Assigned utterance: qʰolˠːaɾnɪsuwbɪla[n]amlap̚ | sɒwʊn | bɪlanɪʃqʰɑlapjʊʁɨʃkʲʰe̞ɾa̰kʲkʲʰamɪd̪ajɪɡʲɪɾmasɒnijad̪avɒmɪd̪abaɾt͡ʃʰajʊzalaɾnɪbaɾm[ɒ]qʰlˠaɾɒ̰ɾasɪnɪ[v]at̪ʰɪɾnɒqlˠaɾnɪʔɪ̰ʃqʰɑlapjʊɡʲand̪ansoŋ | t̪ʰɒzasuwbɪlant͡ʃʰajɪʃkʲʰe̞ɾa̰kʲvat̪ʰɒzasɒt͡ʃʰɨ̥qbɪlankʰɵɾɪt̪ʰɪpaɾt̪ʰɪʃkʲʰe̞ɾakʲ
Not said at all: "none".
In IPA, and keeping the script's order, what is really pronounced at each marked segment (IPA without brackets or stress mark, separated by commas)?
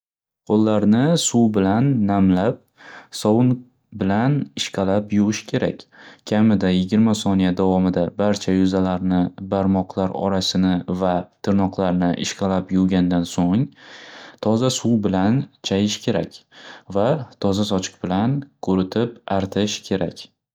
nː, ɒ, v